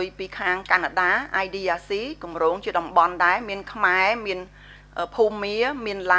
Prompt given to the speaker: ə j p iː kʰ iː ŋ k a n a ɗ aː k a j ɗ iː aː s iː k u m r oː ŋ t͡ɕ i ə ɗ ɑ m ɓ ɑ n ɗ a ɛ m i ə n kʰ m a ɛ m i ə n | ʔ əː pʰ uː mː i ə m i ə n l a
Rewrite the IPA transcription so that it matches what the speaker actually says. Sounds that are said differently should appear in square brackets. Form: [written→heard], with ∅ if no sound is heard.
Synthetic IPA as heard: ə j p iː kʰ [iː→aː] ŋ k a n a ɗ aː [k→ʔ] a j ɗ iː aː s iː k u m r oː ŋ t͡ɕ i ə ɗ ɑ m ɓ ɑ n ɗ a ɛ m i ə n kʰ m a ɛ m i ə n | ʔ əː pʰ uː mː i ə m i ə n l a